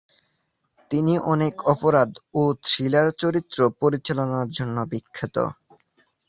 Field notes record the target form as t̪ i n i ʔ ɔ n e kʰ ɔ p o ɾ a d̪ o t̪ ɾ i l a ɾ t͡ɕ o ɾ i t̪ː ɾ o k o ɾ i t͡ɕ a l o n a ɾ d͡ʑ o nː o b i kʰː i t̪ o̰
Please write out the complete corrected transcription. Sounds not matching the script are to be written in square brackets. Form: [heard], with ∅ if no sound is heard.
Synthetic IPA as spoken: t̪ i n i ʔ ɔ n e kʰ ɔ p o ɾ a d̪ o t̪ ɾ i l a ɾ t͡ɕ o ɾ i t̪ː ɾ o [p] o ɾ i t͡ɕ a l o n a ɾ d͡ʑ o nː o b i kʰː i t̪ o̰

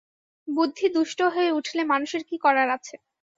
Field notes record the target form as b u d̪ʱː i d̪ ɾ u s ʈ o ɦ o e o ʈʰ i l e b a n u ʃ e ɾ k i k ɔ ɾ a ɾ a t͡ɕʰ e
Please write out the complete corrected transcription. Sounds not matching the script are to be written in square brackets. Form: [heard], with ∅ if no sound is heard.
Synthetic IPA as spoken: b u d̪ʱː i d̪ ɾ u [ʃ] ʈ o ɦ o e [u] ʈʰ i l e [m] a n u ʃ e ɾ k i k ɔ ɾ a ɾ a t͡ɕʰ e

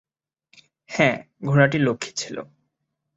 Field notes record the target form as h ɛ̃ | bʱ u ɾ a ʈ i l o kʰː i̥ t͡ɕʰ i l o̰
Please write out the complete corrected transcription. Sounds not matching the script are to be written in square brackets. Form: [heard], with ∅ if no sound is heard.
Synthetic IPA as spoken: h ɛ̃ | [ɡʱ] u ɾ a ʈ i l o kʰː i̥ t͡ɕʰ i l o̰

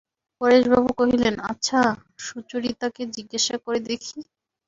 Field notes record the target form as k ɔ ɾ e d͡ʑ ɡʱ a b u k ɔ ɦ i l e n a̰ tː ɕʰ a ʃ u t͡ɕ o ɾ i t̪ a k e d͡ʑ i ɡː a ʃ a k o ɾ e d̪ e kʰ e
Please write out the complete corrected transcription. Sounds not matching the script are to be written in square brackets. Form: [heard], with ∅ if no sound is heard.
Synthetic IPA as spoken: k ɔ ɾ e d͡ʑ [bʱ] a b u k [o] ɦ i l e n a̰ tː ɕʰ a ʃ u t͡ɕ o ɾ i t̪ a k e d͡ʑ i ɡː a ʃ a k o ɾ e d̪ e kʰ [i]

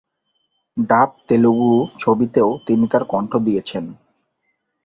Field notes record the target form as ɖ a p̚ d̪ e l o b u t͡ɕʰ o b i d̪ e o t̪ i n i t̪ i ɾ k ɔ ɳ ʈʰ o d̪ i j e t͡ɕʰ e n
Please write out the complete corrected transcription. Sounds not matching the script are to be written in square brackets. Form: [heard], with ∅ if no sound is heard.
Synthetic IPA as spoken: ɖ a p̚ [t̪] e l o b u t͡ɕʰ o b i [t̪] e o t̪ i n i t̪ [a] ɾ k ɔ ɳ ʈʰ o d̪ i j e t͡ɕʰ e n

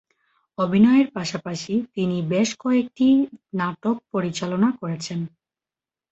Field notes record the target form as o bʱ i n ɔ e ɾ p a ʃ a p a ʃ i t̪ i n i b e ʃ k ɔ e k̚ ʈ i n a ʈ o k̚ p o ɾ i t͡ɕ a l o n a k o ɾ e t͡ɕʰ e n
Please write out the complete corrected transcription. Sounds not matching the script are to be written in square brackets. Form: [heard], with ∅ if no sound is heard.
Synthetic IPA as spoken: o bʱ i n ɔ e ɾ p a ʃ a p a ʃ i t̪ i n i b e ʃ k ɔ e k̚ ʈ i n a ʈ o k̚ p o ɾ i t͡ɕ a l o n a k o ɾ e t͡ɕʰ e n

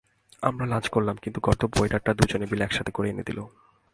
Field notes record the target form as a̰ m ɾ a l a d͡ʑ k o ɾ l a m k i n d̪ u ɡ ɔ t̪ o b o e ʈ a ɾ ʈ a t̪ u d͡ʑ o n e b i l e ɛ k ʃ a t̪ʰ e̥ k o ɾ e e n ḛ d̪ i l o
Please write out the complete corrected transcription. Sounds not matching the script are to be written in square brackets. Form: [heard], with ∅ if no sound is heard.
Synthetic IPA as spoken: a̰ m ɾ a l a d͡ʑ k o ɾ l a m k i n [t̪] u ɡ ɔ t̪ o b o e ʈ a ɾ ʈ a [d̪] u d͡ʑ o n e b i l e ɛ k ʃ a t̪ʰ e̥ k o ɾ e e n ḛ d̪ i l o

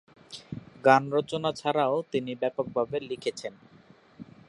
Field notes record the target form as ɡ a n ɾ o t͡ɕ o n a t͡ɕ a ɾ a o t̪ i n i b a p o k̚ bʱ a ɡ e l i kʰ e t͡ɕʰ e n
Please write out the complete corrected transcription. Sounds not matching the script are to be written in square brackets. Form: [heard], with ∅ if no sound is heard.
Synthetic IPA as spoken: ɡ a n ɾ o t͡ɕ o n a [t͡ɕʰ] a ɾ a o t̪ i n i b [ɛ] p o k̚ bʱ a [b] e l i kʰ e t͡ɕʰ e n

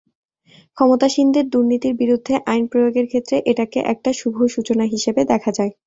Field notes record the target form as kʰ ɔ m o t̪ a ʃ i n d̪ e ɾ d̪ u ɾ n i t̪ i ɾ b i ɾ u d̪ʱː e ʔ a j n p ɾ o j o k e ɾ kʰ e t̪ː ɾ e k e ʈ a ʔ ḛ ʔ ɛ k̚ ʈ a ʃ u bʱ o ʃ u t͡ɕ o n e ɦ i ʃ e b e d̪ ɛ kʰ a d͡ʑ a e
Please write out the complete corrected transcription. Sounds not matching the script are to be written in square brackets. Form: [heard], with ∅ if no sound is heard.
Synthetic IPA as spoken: kʰ ɔ m o t̪ a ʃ i n d̪ e ɾ d̪ u ɾ n i t̪ i ɾ b i ɾ u d̪ʱː e ʔ a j n p ɾ o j o [ɡ] e ɾ kʰ e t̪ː ɾ e [ʔ] e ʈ a [k] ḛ ʔ ɛ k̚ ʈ a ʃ u bʱ o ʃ u t͡ɕ o n [a] ɦ i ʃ e b e d̪ ɛ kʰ a d͡ʑ a e

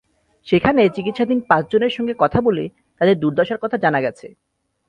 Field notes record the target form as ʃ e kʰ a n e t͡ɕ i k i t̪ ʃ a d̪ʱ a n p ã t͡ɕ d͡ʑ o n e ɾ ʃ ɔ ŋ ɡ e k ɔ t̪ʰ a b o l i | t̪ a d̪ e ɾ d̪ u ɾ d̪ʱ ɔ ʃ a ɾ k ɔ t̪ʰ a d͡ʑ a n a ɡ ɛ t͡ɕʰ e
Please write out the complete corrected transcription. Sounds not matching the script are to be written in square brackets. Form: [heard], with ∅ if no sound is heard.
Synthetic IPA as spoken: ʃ e kʰ a n e t͡ɕ i k i t̪ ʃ a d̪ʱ [i] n p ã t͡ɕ d͡ʑ o n e ɾ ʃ ɔ ŋ ɡ e k ɔ t̪ʰ a b o l [e] | t̪ a d̪ e ɾ d̪ u ɾ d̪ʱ ɔ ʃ a ɾ k ɔ t̪ʰ a d͡ʑ a n a ɡ ɛ t͡ɕʰ e

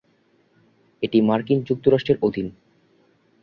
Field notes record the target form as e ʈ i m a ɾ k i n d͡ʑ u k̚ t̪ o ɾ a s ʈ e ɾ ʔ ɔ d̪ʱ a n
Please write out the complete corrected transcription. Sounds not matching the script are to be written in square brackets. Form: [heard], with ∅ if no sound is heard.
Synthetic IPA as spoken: e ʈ i m a ɾ k i n d͡ʑ u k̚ t̪ o ɾ a [ʃ] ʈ e ɾ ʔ [o] d̪ʱ [i] n

